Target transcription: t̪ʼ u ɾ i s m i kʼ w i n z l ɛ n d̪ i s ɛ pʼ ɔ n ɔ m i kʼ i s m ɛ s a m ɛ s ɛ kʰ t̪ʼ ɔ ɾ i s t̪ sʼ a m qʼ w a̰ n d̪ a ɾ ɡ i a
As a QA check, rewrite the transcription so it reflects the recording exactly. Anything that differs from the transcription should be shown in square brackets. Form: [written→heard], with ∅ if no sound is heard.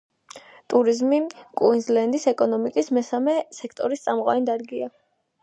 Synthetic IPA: t̪ʼ u ɾ i [s→z] m i kʼ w i n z l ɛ n d̪ i s ɛ [pʼ→kʼ] ɔ n ɔ m i kʼ i s m ɛ s a m ɛ s ɛ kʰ t̪ʼ ɔ ɾ i s t̪ sʼ a m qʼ w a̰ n d̪ a ɾ ɡ i a